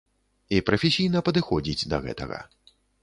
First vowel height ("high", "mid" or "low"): high